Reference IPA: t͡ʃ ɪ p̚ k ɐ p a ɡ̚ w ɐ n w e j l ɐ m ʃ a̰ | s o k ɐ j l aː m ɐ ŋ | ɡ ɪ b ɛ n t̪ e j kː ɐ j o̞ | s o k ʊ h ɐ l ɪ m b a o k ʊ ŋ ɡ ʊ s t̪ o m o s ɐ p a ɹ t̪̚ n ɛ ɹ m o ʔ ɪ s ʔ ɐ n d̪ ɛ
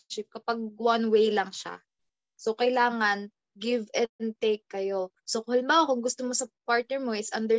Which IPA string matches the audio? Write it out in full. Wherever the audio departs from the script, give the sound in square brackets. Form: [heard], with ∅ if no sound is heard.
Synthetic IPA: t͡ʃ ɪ p̚ k ɐ p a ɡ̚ w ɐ n w e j l ɐ [ŋ] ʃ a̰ | s o k ɐ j l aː [ŋ] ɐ [n] | ɡ ɪ [v] ɛ n t̪ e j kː ɐ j o̞ | s o k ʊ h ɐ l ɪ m b a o k ʊ ŋ ɡ ʊ s t̪ o m o s ɐ p a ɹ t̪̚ n ɛ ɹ m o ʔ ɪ s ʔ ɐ n d̪ ɛ